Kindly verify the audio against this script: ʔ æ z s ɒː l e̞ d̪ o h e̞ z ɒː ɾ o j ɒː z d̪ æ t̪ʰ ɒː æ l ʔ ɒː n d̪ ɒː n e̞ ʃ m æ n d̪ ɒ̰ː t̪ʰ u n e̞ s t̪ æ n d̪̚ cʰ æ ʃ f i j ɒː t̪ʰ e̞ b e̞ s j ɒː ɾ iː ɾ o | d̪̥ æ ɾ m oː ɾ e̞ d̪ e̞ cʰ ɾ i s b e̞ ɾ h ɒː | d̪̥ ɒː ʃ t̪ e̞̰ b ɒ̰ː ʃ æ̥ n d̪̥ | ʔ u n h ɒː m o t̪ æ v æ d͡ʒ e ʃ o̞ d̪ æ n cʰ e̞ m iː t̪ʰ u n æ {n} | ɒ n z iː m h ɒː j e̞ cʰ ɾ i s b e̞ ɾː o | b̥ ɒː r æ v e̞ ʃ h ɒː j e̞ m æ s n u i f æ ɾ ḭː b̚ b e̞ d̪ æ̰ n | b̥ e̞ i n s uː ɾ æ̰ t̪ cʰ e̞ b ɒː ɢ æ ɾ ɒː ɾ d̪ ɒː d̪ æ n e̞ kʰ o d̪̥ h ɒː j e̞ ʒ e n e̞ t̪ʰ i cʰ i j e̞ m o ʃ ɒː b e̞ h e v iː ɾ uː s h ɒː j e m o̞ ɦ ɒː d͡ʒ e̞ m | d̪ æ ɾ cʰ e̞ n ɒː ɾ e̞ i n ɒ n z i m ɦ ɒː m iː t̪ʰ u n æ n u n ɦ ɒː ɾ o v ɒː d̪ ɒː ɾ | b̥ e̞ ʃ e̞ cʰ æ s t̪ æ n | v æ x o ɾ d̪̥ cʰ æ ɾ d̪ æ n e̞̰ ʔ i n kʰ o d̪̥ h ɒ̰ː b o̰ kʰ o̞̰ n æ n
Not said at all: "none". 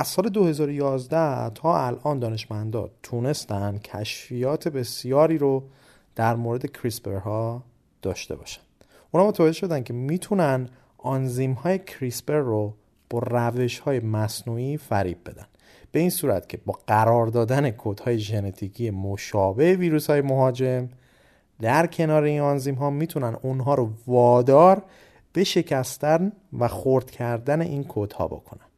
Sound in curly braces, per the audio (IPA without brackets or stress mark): n